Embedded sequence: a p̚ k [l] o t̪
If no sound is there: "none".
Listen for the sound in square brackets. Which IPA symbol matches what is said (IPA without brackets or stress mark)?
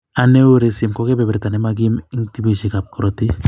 ɾ